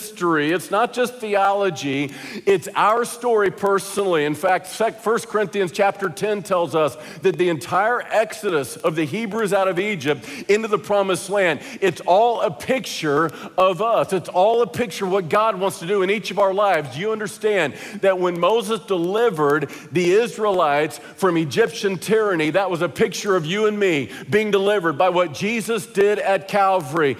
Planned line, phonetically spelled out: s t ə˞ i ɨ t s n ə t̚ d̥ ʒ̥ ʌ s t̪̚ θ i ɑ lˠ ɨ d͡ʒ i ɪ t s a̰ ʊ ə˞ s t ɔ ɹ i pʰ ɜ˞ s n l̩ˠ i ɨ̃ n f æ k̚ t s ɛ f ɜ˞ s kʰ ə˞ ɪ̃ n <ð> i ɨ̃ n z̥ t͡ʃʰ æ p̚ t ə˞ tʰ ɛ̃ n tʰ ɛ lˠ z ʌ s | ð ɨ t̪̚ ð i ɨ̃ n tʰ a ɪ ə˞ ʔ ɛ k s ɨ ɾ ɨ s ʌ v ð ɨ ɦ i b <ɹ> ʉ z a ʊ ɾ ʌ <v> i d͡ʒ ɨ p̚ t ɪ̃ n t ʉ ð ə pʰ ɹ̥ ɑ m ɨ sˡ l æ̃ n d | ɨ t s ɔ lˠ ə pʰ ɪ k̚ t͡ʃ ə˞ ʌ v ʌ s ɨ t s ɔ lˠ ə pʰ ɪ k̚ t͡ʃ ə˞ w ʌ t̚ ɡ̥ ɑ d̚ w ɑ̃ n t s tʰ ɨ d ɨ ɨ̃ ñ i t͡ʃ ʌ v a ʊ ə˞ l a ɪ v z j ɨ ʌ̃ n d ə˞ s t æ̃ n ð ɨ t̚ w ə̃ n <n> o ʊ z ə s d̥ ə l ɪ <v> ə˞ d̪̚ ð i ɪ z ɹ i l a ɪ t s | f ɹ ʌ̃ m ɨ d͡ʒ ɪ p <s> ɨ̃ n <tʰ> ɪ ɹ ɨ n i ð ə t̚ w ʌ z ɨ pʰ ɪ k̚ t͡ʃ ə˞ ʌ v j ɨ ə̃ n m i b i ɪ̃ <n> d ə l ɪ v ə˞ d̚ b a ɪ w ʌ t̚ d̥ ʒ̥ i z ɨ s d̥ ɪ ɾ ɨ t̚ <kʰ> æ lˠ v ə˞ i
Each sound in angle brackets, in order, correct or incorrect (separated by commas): incorrect, correct, correct, incorrect, correct, incorrect, correct, incorrect, correct